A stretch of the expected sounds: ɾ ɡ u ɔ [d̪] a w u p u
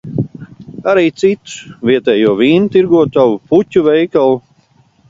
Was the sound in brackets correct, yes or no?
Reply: no